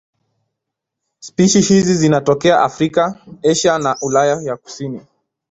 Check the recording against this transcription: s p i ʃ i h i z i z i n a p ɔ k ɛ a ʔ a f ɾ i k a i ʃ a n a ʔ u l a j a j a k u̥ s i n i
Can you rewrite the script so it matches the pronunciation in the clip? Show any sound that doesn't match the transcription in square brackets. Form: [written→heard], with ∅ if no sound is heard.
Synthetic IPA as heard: s p i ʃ i h i z i z i n a [p→t] ɔ k ɛ a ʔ a f ɾ i k a [i→ɛ] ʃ a n a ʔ u l a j a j a k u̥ s i n i